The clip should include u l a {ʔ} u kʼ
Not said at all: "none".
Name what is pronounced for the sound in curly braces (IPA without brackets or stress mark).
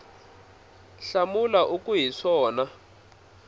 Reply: ʔ